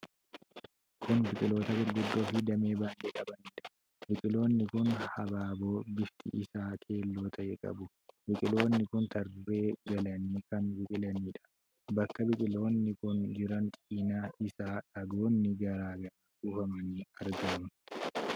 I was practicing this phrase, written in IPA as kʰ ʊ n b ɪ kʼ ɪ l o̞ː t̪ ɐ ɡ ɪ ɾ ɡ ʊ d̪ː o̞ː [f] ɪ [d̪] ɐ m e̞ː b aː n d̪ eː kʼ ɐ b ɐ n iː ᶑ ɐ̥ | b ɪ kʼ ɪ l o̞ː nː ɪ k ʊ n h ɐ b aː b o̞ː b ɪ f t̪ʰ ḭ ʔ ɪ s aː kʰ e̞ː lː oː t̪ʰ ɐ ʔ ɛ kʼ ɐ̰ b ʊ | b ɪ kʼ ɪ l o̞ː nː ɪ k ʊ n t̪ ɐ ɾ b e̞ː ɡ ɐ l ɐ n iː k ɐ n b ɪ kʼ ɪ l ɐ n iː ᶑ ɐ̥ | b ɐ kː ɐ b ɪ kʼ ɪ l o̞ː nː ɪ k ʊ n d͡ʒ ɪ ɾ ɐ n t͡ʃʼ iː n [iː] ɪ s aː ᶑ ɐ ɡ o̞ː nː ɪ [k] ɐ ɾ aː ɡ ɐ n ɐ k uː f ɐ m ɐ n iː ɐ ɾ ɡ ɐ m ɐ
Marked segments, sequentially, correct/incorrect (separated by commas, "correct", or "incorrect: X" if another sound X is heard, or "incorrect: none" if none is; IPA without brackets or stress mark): correct, correct, incorrect: aː, incorrect: ɡ